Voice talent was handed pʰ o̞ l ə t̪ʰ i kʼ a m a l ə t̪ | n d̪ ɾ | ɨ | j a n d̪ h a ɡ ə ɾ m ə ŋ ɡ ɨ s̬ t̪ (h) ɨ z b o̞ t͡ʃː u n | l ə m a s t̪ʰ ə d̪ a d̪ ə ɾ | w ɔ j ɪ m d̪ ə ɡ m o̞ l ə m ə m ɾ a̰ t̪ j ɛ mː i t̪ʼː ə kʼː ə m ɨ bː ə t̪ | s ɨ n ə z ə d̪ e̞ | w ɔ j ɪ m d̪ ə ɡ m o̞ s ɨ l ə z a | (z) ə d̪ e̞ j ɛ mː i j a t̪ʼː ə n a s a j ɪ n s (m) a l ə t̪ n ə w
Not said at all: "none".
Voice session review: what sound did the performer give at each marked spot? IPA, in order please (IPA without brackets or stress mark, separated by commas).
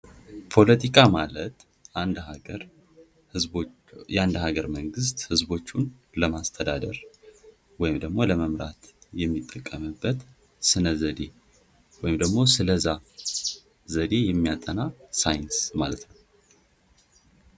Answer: h, z, m